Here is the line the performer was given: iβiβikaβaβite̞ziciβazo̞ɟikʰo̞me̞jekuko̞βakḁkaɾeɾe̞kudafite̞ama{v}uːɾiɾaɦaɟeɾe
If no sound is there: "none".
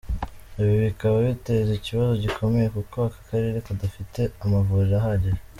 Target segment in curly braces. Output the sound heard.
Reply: v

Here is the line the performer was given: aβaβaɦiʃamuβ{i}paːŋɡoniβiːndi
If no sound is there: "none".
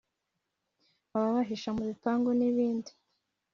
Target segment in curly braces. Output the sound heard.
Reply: i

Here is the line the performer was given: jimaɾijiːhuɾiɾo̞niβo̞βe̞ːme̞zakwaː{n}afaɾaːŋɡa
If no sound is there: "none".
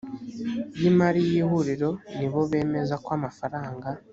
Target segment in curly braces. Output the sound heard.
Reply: m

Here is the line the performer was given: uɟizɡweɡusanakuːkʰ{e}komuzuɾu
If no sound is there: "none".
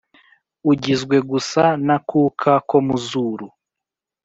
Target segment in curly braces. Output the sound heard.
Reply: a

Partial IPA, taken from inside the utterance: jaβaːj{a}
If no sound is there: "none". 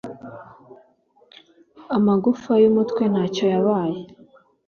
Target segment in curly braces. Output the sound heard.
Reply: e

